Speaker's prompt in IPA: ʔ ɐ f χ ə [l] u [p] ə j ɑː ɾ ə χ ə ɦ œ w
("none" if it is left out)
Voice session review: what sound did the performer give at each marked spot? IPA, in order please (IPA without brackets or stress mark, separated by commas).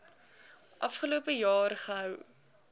l, p